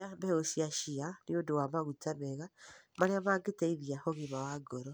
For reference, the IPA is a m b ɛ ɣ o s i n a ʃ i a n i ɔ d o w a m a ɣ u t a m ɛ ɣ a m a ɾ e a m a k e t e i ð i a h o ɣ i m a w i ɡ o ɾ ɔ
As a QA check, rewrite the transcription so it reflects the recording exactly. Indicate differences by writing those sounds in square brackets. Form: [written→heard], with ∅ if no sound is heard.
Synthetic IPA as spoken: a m b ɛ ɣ o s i [n→∅] a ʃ i a n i [ɔ→o] d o w a m a ɣ u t a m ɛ ɣ a m a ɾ e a m a [k→ɡ] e t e i ð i a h o ɣ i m a w [i→a] ɡ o ɾ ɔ